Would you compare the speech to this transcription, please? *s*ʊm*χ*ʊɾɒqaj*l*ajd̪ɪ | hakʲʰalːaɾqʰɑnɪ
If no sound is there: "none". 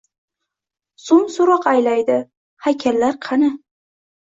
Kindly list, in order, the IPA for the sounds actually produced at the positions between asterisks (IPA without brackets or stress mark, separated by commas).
s, s, l